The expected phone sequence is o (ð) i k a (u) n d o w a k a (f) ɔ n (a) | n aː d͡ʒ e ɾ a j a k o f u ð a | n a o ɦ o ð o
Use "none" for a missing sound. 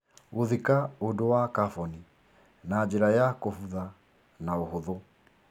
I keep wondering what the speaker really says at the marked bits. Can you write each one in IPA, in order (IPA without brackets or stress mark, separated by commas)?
ð, o, f, i